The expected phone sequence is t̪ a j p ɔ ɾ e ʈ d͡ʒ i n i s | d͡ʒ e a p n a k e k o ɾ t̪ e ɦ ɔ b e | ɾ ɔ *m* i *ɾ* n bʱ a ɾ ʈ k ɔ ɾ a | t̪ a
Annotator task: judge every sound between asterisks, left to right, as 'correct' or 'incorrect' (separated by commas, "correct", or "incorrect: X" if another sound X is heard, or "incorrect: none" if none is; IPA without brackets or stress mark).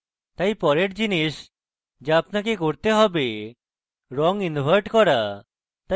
incorrect: ŋ, incorrect: none